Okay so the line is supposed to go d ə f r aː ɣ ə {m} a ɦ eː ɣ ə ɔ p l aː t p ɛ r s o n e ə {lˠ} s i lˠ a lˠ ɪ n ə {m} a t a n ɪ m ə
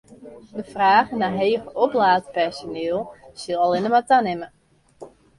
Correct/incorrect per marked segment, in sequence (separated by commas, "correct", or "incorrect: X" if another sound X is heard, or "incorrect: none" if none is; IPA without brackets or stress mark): incorrect: n, correct, correct